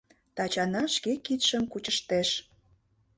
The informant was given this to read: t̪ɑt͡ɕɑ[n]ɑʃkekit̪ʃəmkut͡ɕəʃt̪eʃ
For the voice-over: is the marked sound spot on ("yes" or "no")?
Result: yes